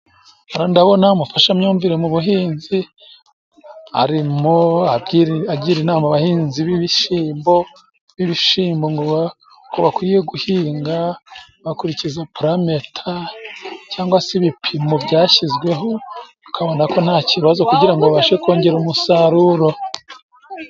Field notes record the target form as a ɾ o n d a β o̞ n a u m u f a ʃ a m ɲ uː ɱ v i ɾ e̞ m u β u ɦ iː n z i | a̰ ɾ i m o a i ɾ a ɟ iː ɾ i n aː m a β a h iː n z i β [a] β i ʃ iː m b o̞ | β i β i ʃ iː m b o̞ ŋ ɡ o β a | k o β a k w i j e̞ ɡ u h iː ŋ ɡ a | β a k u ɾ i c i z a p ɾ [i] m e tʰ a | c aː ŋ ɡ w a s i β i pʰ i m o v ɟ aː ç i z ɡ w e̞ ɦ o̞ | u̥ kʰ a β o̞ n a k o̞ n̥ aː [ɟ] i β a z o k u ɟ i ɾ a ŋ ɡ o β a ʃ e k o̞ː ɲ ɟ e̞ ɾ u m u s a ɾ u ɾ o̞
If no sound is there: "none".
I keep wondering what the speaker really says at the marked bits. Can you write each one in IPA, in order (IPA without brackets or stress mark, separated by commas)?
i, a, c